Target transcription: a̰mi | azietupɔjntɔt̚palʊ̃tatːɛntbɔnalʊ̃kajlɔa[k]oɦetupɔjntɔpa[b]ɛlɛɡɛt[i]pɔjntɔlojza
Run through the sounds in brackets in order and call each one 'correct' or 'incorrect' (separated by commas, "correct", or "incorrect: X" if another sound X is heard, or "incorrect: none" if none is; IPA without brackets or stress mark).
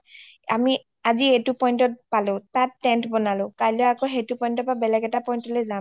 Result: correct, correct, incorrect: a